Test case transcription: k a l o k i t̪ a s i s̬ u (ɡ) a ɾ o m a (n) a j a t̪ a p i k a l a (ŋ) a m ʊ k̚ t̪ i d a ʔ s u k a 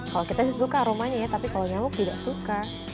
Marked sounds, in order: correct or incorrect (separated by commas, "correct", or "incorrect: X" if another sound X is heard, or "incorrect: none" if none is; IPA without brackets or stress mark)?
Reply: incorrect: k, incorrect: ɲ, incorrect: ɲ